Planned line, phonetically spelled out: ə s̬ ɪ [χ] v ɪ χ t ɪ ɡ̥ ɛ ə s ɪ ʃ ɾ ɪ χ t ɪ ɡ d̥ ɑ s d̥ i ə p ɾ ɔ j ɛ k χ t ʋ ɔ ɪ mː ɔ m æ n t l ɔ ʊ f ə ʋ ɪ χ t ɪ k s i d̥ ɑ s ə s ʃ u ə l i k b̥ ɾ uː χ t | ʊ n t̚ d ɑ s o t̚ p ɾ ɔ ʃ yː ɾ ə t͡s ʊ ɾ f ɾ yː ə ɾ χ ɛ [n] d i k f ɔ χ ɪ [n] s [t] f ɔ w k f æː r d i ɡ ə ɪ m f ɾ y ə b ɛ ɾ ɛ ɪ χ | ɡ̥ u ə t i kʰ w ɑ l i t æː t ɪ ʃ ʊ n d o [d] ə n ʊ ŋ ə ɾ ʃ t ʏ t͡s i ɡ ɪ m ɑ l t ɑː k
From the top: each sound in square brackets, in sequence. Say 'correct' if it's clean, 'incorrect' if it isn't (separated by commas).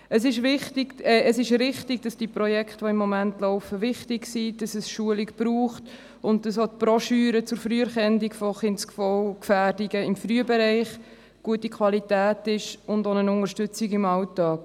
incorrect, correct, correct, incorrect, incorrect